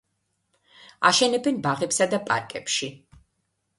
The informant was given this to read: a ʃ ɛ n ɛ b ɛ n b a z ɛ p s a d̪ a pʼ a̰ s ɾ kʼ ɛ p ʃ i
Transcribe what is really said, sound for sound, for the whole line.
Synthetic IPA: a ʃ ɛ n ɛ b ɛ n b a ʁ ɛ p s a d̪ a pʼ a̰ ɾ kʼ ɛ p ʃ i